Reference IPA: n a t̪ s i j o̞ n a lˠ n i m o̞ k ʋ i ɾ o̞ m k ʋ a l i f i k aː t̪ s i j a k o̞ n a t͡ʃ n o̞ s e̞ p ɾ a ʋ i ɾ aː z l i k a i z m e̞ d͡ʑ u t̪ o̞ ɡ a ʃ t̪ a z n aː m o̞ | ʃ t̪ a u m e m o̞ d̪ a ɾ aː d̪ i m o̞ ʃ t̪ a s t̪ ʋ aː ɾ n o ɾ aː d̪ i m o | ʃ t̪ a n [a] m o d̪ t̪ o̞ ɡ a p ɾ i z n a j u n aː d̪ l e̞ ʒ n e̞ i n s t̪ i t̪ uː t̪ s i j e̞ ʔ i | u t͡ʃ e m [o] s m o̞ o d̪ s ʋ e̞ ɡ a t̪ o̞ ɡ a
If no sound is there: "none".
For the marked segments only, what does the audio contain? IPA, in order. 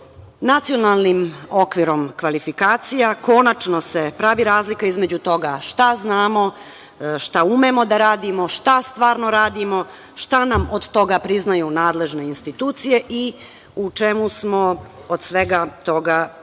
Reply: a, u

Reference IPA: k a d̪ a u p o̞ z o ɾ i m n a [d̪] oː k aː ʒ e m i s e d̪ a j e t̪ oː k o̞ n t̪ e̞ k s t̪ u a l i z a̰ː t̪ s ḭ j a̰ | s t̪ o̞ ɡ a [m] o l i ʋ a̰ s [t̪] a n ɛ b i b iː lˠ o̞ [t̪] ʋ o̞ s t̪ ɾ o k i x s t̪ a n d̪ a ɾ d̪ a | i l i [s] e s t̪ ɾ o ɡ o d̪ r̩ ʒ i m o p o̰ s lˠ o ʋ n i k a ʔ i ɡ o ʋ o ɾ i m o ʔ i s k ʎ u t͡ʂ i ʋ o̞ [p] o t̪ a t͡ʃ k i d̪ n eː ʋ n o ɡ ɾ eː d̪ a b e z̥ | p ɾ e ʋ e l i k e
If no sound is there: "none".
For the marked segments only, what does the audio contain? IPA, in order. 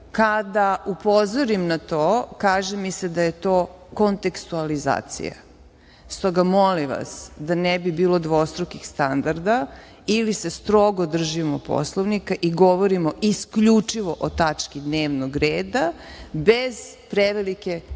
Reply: t̪, m, d̪, d̪, s, ʔ

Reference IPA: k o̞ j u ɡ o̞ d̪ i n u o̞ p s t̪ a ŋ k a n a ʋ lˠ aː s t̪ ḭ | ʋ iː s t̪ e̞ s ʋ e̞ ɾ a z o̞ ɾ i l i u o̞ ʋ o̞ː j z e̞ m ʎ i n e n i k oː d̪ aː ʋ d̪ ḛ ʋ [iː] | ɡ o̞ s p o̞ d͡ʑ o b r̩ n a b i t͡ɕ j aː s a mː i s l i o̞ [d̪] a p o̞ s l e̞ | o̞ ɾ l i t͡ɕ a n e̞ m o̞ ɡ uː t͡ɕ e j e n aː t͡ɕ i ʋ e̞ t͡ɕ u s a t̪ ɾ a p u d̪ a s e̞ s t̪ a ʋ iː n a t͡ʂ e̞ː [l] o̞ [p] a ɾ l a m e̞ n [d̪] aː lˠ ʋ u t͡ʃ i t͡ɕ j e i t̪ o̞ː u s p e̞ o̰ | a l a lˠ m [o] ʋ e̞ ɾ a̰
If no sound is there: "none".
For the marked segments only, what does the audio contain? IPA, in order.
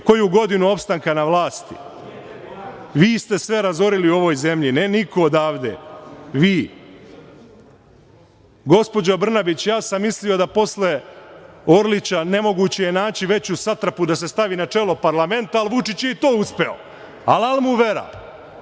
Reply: iː, d̪, l, p, t̪, u

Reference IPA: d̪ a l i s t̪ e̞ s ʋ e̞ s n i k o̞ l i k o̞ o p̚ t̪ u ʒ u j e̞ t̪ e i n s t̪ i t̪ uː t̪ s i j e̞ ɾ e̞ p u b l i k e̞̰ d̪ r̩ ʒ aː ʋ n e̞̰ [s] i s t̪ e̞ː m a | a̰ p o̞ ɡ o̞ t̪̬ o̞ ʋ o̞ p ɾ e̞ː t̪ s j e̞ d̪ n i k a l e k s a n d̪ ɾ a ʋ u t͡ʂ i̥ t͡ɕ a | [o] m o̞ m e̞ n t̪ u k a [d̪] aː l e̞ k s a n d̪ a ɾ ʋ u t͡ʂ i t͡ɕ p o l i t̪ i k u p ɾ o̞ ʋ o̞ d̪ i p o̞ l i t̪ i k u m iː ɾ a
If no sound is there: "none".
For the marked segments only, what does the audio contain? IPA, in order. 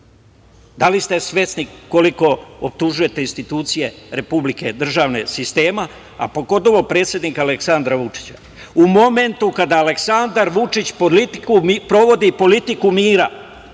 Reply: s, u, d̪

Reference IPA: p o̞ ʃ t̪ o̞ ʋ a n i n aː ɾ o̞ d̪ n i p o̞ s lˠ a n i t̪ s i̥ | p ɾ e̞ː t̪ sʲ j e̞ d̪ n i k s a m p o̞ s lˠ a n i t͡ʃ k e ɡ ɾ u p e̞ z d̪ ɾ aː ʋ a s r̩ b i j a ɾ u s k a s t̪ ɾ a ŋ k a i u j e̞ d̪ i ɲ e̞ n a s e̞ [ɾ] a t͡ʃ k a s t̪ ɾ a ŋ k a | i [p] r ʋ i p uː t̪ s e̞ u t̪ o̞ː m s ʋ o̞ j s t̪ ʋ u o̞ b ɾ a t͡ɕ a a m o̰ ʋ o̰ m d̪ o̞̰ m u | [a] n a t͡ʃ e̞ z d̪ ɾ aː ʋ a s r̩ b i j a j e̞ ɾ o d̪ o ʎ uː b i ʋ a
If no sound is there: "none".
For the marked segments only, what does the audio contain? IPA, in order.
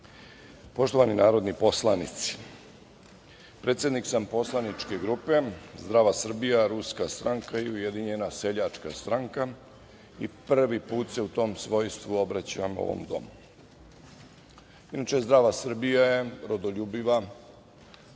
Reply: ʎ, p, i

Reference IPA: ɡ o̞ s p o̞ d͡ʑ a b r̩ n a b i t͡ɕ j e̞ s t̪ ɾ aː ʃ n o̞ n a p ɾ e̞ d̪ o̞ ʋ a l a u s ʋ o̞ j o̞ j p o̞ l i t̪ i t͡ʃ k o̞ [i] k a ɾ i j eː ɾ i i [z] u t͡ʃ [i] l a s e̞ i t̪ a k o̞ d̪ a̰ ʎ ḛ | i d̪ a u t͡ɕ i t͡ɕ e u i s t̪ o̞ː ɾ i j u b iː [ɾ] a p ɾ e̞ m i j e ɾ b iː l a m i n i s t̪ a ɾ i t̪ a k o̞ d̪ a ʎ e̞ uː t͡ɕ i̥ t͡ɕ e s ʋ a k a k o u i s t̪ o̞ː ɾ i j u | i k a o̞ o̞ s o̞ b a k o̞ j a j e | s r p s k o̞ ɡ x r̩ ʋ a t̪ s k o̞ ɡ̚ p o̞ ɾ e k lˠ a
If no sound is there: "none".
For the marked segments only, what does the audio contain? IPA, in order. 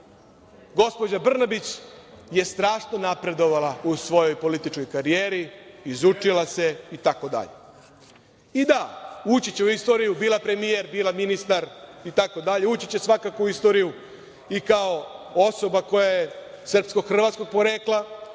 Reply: j, z, i, l

